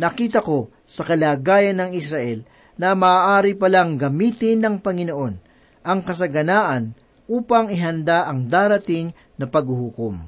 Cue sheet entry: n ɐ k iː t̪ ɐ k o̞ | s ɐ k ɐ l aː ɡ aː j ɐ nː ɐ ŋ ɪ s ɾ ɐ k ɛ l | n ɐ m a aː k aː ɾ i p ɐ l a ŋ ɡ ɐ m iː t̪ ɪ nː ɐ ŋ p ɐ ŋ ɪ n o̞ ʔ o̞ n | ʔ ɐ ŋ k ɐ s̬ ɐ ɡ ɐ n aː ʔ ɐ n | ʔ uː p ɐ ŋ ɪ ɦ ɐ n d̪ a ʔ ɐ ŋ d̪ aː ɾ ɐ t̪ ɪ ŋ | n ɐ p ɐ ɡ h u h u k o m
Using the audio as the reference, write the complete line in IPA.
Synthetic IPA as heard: n ɐ k iː t̪ ɐ k o̞ | s ɐ k ɐ l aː ɡ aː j ɐ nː ɐ ŋ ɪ s ɾ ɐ ʔ ɛ l | n ɐ m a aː ʔ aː ɾ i p ɐ l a ŋ ɡ ɐ m iː t̪ ɪ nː ɐ ŋ p ɐ ŋ ɪ n o̞ ʔ o̞ n | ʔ ɐ ŋ k ɐ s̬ ɐ ɡ ɐ n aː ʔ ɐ n | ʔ uː p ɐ ŋ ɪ ɦ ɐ n d̪ a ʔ ɐ ŋ d̪ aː ɾ ɐ t̪ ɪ ŋ | n ɐ p ɐ ɡ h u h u k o m